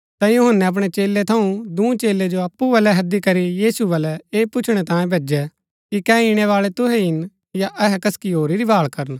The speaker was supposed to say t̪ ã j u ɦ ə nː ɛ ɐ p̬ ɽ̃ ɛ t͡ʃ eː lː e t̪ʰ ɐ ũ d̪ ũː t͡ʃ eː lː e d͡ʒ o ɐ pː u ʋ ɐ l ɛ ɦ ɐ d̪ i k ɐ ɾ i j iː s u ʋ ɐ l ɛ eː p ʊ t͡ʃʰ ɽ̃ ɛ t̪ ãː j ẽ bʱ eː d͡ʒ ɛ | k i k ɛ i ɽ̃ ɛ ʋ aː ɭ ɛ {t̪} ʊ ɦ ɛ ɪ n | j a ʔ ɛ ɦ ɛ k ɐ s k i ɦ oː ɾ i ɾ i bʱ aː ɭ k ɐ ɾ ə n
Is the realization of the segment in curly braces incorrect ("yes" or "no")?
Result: no